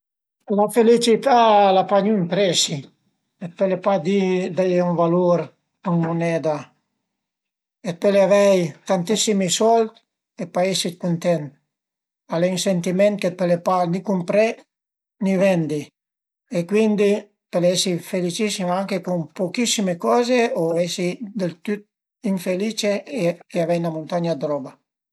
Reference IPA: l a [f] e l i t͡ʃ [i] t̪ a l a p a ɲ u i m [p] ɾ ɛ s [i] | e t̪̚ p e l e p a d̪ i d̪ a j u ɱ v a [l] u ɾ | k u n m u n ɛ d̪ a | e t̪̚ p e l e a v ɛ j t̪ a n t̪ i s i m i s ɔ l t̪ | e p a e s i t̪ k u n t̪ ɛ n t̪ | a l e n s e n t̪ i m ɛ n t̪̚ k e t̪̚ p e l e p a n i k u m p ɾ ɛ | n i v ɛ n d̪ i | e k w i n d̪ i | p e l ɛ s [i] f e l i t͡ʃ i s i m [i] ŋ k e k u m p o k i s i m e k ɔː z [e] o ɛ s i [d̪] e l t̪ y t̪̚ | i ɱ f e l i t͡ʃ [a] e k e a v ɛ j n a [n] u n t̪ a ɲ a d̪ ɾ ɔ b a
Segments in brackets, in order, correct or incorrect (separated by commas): correct, correct, correct, correct, correct, correct, incorrect, correct, correct, incorrect, incorrect